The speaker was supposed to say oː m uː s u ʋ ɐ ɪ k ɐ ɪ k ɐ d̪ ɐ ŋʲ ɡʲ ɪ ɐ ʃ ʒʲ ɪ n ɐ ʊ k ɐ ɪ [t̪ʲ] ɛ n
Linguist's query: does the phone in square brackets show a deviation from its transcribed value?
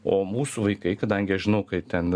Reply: no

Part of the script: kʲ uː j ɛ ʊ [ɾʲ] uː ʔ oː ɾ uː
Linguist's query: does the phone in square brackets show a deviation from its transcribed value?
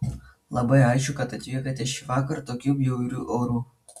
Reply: no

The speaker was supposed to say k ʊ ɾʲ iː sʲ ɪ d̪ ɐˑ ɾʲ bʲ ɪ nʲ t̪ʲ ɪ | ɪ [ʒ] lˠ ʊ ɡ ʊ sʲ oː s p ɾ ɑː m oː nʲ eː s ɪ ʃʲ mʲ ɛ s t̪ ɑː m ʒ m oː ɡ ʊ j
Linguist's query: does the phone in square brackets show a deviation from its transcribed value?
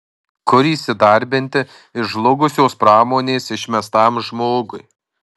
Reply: no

